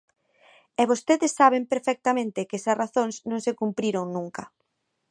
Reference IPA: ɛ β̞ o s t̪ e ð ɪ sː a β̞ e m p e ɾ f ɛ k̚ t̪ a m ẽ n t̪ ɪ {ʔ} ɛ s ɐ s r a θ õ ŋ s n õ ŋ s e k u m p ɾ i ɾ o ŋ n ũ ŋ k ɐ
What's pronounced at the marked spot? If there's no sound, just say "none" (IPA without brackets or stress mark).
k